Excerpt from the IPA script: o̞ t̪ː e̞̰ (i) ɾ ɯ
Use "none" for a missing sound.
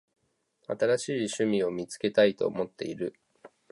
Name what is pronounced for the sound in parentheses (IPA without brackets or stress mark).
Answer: i